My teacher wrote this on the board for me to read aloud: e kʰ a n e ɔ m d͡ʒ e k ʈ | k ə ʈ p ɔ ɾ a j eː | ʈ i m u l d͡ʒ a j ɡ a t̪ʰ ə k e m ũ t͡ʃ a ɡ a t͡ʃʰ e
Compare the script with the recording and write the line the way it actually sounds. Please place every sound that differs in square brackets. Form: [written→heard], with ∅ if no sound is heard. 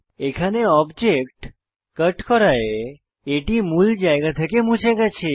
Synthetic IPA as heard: e kʰ a n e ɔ [m→b] d͡ʒ e k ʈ | k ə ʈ [p→k] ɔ ɾ a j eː | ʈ i m u l d͡ʒ a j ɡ a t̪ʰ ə k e m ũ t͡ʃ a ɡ a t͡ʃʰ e